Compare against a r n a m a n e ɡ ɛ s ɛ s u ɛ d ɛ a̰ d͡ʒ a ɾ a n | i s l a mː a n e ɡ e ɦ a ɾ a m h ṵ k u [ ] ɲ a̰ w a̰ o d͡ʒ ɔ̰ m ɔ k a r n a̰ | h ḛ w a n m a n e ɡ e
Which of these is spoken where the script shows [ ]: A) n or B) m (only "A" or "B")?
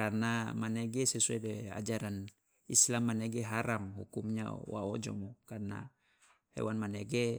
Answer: B